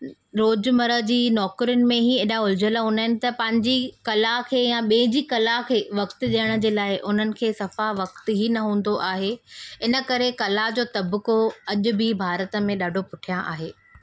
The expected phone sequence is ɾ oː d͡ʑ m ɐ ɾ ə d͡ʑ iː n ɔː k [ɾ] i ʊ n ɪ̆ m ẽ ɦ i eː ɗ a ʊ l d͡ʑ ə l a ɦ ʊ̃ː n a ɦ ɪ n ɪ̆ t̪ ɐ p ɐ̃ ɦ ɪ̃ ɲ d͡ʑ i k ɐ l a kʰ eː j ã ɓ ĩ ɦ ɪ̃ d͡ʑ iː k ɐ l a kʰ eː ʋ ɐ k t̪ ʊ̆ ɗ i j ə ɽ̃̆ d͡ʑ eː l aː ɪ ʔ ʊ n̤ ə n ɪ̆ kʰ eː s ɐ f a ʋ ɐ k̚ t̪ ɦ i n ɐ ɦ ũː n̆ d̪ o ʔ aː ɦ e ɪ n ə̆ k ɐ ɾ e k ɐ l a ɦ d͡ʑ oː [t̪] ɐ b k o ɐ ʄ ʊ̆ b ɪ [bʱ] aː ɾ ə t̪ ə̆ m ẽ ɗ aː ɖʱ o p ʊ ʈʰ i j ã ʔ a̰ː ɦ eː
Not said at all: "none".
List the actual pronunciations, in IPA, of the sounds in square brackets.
ɾ, t̪, bʱ

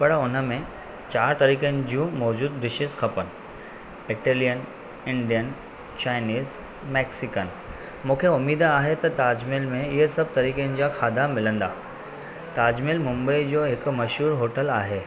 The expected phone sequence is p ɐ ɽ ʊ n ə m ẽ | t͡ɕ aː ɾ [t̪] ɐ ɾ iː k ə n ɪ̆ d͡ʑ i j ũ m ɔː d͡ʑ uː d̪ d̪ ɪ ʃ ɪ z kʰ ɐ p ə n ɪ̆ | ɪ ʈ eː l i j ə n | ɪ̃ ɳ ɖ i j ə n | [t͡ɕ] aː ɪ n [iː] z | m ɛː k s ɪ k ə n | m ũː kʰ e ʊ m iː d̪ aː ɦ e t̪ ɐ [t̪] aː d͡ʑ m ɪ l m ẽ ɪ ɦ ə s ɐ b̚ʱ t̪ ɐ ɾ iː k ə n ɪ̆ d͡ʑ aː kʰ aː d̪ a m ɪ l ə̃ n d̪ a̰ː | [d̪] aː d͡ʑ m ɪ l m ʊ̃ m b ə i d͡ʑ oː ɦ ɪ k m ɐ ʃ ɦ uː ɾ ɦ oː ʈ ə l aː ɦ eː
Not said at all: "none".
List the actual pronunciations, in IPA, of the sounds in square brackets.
t̪, t͡ɕ, iː, t̪, t̪

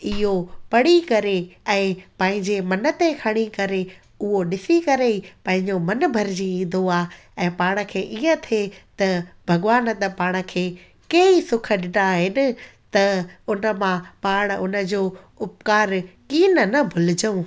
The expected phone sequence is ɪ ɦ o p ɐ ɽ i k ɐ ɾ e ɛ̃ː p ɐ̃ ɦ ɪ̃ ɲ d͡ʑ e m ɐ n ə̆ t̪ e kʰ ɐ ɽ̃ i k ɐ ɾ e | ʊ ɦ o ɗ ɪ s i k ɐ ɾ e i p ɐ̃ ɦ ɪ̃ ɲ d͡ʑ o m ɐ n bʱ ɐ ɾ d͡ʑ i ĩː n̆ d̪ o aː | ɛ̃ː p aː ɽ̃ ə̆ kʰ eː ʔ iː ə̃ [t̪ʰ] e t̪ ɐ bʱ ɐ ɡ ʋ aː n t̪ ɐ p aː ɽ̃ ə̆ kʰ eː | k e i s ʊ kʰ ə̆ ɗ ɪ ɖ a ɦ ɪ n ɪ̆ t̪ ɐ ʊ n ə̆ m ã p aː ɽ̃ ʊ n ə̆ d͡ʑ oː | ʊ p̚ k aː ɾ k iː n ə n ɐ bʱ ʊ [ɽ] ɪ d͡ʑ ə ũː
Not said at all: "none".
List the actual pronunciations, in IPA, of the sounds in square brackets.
t̪ʰ, l

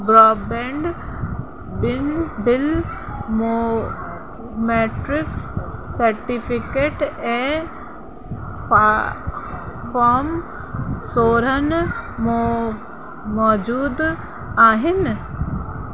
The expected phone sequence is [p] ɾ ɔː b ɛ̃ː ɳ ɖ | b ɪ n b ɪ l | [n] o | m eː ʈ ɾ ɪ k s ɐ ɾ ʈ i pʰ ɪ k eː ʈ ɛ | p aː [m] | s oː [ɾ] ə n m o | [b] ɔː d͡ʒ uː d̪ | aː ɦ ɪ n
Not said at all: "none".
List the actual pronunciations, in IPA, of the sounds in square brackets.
b, m, m, ɾ, m

